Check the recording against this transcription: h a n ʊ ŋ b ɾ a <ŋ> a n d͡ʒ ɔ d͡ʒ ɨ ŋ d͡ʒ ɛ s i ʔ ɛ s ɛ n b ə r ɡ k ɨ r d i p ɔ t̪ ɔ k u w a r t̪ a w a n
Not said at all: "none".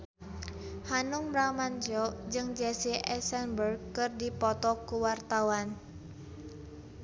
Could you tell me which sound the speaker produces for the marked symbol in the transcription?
m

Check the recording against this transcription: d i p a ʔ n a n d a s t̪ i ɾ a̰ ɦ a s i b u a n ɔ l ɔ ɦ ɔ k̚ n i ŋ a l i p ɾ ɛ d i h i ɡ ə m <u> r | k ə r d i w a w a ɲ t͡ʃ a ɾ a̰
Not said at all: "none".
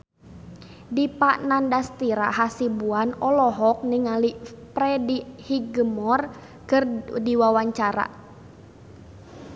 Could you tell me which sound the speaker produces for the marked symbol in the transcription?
ɔ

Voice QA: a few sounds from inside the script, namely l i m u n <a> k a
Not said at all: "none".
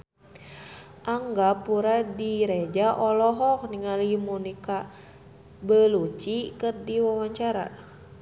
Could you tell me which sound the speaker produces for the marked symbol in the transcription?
i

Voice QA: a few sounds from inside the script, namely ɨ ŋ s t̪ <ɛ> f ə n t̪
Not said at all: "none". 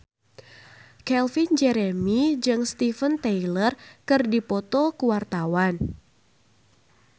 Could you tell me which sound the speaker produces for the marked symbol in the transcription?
i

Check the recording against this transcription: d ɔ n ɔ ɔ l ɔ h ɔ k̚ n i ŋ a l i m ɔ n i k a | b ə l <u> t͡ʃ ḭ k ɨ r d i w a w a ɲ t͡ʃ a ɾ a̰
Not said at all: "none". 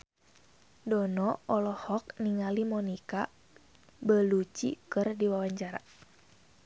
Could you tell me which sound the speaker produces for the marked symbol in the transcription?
u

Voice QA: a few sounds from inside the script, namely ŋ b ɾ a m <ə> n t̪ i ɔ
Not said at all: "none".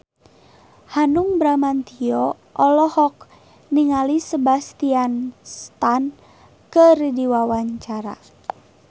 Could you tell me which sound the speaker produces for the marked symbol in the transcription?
a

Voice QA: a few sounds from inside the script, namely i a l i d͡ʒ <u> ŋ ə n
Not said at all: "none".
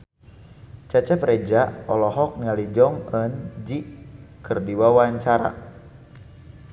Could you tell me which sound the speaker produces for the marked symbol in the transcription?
ɔ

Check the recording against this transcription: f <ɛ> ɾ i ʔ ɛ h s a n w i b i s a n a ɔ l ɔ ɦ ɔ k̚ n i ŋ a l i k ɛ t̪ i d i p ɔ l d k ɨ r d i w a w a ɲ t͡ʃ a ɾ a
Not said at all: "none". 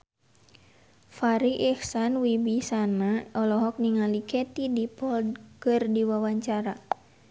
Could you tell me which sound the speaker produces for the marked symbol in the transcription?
a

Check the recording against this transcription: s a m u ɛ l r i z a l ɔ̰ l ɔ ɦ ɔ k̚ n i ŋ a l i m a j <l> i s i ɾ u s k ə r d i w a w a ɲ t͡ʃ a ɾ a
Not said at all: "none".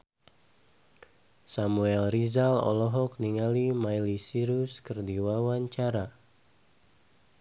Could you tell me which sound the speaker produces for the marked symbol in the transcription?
l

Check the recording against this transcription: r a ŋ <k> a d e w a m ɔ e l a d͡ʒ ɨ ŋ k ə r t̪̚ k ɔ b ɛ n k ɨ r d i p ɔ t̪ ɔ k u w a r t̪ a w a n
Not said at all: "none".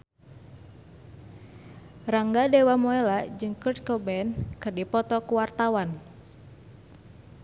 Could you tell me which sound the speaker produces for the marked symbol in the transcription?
ɡ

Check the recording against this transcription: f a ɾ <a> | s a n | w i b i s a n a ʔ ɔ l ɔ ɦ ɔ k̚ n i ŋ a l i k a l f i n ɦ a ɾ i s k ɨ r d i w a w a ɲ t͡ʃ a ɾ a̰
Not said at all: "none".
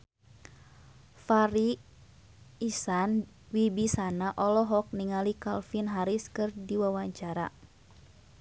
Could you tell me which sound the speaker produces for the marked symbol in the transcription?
i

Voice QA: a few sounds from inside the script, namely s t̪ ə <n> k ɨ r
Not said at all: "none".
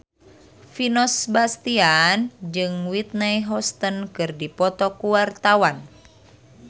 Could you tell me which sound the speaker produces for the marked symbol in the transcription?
n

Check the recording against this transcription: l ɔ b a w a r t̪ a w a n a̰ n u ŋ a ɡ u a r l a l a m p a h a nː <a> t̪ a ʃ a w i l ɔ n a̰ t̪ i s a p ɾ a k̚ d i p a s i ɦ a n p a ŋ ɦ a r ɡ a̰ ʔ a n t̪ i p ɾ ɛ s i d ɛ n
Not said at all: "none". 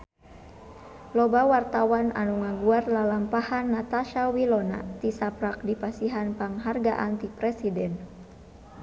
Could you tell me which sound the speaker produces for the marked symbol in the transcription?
a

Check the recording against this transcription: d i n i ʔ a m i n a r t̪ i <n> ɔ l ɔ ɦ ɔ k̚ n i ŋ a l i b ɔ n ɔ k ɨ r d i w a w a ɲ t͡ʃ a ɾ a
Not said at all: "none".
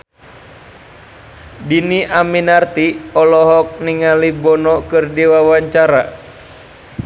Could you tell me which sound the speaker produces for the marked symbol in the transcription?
none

